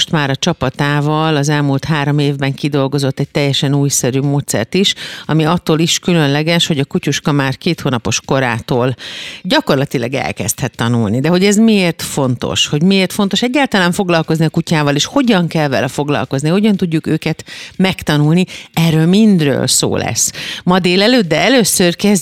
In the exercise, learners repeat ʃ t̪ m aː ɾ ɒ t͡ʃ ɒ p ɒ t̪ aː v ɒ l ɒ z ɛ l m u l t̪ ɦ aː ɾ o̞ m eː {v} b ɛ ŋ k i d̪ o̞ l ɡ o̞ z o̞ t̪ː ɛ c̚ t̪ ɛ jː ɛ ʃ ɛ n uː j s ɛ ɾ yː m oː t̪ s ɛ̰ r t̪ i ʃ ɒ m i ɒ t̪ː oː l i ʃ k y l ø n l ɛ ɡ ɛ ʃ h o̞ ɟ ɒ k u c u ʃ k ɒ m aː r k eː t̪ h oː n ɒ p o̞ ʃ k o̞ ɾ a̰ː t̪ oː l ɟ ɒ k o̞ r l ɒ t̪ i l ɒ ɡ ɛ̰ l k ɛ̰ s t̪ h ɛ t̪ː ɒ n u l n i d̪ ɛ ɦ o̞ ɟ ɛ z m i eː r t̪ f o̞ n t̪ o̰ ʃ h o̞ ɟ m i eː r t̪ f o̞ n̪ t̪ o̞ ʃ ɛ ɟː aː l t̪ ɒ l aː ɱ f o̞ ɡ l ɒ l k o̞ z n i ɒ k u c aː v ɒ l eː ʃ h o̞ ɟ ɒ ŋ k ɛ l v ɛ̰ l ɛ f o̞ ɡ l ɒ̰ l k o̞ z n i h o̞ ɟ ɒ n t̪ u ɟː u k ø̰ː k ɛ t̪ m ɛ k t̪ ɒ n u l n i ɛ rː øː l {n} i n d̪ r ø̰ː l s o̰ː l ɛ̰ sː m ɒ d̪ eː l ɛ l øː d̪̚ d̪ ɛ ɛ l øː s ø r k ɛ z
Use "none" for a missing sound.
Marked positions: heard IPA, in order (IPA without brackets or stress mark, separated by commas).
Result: v, m